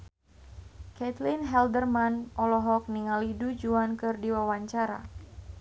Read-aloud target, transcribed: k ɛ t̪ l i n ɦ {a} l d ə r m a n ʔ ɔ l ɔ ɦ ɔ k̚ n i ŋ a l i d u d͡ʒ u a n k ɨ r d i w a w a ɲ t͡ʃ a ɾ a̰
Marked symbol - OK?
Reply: no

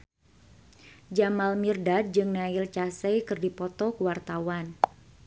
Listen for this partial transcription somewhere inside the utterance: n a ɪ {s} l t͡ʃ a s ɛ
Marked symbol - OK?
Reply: no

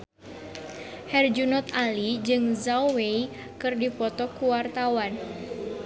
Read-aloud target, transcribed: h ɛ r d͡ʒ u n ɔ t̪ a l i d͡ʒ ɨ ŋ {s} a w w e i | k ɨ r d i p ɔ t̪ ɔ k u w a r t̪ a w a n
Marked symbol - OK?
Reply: no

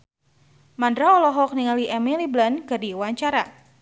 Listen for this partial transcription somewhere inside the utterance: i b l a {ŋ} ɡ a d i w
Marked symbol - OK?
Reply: no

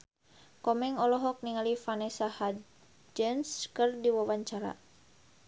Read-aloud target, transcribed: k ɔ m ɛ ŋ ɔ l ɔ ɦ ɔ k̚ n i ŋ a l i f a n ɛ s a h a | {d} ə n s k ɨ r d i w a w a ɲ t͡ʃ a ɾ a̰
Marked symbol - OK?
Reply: no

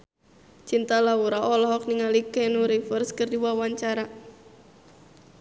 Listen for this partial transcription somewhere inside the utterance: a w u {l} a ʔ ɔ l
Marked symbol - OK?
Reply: no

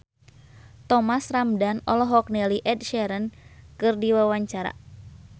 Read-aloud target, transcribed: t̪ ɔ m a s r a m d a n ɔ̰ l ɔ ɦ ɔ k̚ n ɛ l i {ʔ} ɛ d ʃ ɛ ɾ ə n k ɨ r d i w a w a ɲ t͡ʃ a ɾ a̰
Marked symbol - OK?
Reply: yes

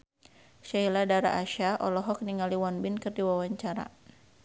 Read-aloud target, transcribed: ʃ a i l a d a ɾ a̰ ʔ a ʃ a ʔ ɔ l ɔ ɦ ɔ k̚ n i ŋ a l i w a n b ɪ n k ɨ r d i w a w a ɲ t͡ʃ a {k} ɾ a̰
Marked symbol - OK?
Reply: no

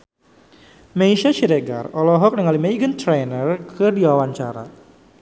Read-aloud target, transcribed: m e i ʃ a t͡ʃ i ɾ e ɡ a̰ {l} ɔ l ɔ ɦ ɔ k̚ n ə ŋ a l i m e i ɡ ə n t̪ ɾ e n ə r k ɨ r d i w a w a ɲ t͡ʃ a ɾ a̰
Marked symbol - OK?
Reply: no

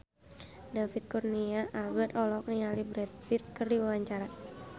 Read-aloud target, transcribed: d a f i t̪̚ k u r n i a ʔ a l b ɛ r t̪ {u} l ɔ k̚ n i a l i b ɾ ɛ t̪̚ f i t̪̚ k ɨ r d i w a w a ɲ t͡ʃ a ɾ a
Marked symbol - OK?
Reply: no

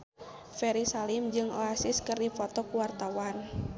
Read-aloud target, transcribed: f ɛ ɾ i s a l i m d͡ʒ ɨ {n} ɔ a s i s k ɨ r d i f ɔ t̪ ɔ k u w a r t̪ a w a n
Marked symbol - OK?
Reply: no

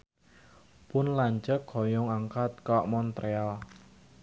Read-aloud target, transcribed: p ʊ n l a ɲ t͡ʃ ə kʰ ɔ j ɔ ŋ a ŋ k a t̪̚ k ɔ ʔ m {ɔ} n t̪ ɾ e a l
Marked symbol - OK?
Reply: yes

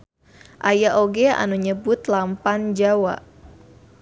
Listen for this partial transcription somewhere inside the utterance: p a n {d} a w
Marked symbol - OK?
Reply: no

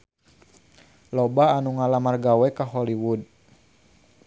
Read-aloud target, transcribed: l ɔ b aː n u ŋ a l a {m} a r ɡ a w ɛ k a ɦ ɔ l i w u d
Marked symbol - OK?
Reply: yes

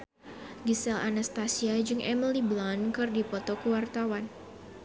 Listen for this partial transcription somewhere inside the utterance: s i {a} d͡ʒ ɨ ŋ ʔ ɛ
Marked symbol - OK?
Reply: yes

